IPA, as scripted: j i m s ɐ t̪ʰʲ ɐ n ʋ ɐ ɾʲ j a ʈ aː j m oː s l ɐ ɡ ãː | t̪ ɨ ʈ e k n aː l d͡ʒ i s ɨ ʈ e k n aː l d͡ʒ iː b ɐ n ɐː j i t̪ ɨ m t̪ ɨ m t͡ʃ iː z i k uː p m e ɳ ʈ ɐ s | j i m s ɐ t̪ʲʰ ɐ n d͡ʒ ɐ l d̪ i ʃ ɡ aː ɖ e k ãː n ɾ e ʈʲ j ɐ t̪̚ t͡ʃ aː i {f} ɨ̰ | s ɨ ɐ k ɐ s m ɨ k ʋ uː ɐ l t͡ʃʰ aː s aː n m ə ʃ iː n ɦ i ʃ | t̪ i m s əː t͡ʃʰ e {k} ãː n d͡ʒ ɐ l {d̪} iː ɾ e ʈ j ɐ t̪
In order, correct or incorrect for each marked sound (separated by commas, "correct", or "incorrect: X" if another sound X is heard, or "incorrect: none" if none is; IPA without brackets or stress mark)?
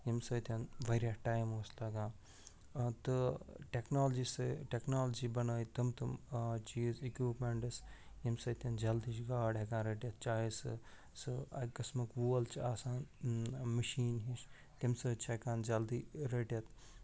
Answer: incorrect: s, correct, correct